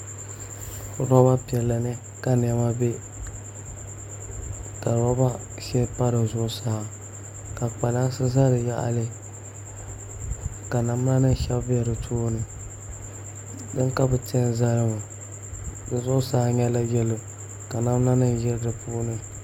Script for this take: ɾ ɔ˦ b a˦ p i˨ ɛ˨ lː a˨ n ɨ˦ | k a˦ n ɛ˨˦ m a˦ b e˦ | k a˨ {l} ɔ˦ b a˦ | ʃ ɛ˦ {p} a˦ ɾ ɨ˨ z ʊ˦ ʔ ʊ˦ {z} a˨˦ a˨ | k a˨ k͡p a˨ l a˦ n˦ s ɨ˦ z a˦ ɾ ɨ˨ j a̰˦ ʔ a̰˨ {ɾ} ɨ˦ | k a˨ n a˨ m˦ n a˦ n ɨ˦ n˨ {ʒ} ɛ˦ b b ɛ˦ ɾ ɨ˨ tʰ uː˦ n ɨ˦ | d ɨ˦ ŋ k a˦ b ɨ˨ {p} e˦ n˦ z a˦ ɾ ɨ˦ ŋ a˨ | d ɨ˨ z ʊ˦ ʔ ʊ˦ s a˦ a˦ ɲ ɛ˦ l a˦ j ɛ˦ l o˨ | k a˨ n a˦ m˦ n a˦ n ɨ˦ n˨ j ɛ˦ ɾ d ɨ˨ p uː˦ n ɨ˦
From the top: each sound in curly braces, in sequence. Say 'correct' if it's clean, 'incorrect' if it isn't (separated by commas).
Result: incorrect, correct, incorrect, incorrect, incorrect, incorrect